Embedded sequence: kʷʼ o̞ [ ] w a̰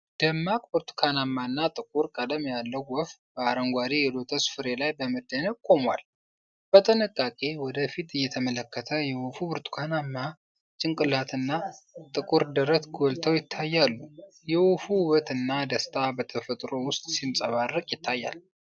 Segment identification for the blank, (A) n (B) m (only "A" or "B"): B